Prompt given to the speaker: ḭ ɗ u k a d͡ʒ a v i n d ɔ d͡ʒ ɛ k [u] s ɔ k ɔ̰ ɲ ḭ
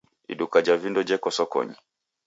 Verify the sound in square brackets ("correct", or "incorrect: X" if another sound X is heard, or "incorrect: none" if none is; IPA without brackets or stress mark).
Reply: incorrect: ɔ